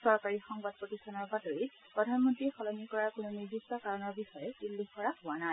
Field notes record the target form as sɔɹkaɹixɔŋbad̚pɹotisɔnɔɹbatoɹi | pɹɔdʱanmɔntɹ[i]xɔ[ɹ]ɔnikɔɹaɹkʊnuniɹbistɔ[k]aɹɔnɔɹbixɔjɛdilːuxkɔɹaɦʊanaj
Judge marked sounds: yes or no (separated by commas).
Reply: yes, no, yes